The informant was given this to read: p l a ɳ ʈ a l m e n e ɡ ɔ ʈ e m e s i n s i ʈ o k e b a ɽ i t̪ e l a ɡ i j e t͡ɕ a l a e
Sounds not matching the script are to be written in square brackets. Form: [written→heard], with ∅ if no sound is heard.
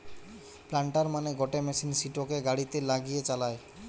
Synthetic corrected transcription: p l a ɳ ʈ a [l→ɾ] m [e→a] n e ɡ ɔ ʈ e m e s i n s i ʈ o k e [b→ɡ] a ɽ i t̪ e l a ɡ i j e t͡ɕ a l a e

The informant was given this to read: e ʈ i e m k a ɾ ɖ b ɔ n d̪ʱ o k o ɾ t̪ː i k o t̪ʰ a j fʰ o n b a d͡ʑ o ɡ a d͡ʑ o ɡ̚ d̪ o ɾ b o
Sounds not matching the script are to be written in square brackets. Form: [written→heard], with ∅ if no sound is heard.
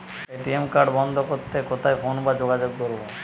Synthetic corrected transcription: e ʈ i e m k a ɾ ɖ b ɔ n d̪ʱ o k o ɾ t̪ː [i→e] k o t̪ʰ a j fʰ o n b a d͡ʑ o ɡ a d͡ʑ o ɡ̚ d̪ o ɾ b o

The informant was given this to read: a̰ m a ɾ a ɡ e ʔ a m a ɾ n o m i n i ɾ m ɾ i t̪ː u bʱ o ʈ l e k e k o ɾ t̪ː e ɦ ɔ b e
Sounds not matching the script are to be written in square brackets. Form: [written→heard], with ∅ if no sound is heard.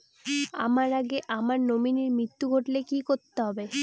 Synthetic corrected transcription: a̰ m a ɾ a ɡ e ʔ a m a ɾ n o m i n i ɾ m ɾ i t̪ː u [bʱ→ɡʱ] o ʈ l e k [e→i] k o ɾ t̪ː e ɦ ɔ b e

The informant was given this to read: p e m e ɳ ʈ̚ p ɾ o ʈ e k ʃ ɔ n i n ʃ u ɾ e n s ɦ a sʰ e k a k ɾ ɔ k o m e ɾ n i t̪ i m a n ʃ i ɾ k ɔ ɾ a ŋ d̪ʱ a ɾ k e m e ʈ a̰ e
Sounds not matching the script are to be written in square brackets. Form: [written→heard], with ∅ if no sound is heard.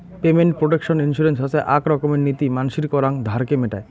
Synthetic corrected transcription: p e m e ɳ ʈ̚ p ɾ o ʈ e k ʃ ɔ n i n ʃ u ɾ e n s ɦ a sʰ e [k→ʔ] a k ɾ ɔ k o m e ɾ n i t̪ i m a n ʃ i ɾ k ɔ ɾ a ŋ d̪ʱ a ɾ k e m e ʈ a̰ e

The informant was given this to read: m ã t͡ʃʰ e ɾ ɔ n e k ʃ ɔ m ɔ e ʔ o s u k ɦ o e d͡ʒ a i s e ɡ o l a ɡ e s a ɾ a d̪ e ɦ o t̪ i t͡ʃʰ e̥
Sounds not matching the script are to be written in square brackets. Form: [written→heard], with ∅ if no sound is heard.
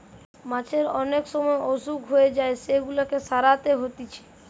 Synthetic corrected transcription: m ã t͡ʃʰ e ɾ ɔ n e k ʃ ɔ m ɔ e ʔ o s u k ɦ o e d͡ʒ a [i→e] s e ɡ [o→u] l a [ɡ→k] e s a ɾ a [d̪→t̪] e ɦ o t̪ i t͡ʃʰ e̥

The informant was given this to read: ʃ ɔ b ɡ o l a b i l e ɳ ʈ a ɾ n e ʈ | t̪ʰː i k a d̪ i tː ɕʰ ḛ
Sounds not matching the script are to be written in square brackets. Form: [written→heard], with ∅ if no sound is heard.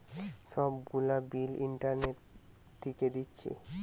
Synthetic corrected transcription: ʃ ɔ b ɡ [o→u] l a b i l [e→i] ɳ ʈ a ɾ n e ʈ | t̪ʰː i k [a→e] d̪ i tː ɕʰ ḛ

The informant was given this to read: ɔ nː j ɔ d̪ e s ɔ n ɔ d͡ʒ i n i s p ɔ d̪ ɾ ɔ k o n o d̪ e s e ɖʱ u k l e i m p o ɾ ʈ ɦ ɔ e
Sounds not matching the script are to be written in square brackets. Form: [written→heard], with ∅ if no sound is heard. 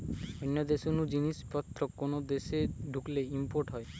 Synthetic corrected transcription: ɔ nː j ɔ d̪ e s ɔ n [ɔ→u] d͡ʒ i n i s p ɔ [d̪→t̪] ɾ ɔ k o n o d̪ e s e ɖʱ u k l e i m p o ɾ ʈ ɦ ɔ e

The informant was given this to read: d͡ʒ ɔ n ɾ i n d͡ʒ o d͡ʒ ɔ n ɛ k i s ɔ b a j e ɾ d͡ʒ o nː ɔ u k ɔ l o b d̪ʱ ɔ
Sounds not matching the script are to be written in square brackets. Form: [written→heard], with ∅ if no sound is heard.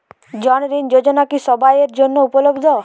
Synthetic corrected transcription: d͡ʒ ɔ n ɾ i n d͡ʒ o d͡ʒ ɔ n [ɛ→a] k i s ɔ b a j e ɾ d͡ʒ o nː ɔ u [k→p] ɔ l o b d̪ʱ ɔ

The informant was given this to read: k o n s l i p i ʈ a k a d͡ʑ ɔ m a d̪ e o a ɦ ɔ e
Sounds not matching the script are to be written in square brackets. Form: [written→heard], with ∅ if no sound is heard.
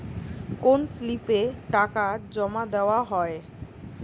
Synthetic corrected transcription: k o n s l i p [i→e] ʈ a k a d͡ʑ ɔ m a d̪ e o a ɦ ɔ e

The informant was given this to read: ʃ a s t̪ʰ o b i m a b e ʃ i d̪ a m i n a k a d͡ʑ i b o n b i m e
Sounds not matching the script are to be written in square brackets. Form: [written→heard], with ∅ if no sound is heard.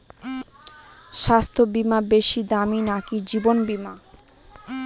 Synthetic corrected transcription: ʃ a s t̪ʰ o b i m a b e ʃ i d̪ a m i n a k [a→i] d͡ʑ i b o n b i m [e→a]

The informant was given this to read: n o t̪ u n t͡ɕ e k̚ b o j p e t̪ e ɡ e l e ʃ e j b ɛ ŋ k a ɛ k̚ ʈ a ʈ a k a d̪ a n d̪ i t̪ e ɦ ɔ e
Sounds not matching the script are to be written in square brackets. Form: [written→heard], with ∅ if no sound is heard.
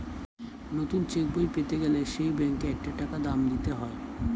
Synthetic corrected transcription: n o t̪ u n t͡ɕ e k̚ b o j p e t̪ e ɡ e l e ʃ e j b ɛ ŋ k [a→e] ɛ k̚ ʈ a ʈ a k a d̪ a [n→m] d̪ i t̪ e ɦ ɔ e

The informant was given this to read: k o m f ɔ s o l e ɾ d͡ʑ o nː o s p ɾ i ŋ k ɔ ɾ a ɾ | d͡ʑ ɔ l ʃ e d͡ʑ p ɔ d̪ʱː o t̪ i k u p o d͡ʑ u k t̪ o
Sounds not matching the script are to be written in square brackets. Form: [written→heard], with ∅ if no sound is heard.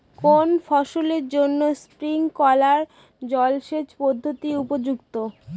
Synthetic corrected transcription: k o [m→n] f ɔ [s→ʃ] o l e ɾ d͡ʑ o nː o s p ɾ i ŋ k ɔ [ɾ→l] a ɾ | d͡ʑ ɔ l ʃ e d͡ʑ p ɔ d̪ʱː o t̪ i [k→∅] u p o d͡ʑ u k t̪ o

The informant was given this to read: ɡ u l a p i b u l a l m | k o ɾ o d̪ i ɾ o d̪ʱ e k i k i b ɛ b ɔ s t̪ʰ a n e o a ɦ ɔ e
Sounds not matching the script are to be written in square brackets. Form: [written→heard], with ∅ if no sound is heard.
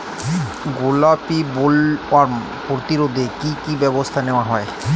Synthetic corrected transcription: ɡ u l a p i b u l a [l→ɾ] m | [k→p] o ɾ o [d̪→t̪] i ɾ o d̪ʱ e k i k i b ɛ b [ɔ→o] s t̪ʰ a n e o a ɦ ɔ e

